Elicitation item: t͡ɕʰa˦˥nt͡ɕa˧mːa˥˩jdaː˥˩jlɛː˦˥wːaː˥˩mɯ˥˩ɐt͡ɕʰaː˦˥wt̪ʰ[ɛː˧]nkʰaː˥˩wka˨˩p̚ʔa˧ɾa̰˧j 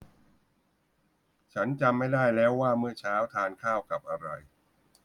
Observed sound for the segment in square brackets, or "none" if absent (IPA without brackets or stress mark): aː˧